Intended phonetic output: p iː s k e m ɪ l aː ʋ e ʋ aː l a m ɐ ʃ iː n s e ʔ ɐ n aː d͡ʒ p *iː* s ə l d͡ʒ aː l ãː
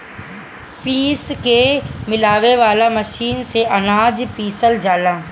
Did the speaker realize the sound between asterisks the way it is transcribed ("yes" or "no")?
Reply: yes